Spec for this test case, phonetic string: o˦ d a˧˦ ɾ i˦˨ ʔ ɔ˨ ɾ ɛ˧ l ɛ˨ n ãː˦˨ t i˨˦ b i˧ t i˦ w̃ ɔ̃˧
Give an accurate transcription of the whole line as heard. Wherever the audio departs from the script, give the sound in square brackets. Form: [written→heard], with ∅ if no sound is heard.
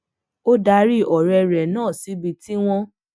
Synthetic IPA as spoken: o˦ d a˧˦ ɾ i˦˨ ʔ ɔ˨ ɾ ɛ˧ [l→ɾ] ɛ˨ n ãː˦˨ [t→s] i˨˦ b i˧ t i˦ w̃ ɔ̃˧